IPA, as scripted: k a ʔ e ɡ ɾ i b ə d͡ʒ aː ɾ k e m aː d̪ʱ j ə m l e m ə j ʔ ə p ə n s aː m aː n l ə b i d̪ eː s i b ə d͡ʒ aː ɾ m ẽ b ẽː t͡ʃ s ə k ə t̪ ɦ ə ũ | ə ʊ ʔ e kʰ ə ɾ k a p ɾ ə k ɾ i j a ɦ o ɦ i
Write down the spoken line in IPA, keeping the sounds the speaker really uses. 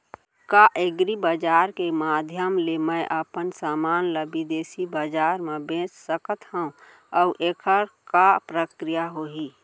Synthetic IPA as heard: k a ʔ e ɡ ɾ i b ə d͡ʒ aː ɾ k e m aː d̪ʱ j ə m l e m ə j ʔ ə p ə n s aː m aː n l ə b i d̪ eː s i b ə d͡ʒ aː ɾ m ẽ b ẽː t͡ʃ s ə k ə t̪ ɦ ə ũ | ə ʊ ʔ e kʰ ə ɾ k a p ɾ ə k ɾ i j a ɦ o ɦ i